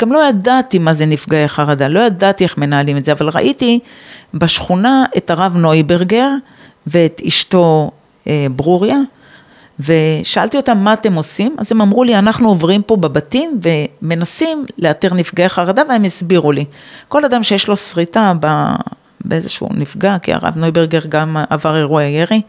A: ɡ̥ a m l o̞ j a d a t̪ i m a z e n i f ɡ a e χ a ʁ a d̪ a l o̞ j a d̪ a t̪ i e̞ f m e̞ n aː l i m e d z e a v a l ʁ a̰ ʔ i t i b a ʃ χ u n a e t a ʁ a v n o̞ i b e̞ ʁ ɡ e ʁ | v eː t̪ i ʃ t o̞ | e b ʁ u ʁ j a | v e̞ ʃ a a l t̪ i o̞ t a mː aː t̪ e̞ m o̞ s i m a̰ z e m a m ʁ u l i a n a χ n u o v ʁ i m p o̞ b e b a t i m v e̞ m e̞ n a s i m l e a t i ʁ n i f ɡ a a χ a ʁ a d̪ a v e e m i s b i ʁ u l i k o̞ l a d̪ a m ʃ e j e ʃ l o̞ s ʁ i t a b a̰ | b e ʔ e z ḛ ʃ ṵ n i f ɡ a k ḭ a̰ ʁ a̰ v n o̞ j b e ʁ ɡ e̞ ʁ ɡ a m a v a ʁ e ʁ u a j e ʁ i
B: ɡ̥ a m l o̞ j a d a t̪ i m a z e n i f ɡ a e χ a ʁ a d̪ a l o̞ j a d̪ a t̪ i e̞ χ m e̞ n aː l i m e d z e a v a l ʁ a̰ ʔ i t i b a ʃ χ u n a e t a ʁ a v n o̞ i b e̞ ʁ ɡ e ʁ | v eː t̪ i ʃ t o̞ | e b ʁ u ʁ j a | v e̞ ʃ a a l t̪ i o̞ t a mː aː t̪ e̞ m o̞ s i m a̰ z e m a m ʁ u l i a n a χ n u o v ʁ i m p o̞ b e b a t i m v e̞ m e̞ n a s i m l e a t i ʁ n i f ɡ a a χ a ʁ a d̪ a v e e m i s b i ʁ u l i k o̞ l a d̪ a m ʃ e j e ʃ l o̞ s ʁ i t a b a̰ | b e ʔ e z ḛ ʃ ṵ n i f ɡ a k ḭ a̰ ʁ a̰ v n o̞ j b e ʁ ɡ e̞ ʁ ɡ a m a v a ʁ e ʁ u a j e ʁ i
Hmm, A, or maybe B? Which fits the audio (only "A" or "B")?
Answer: B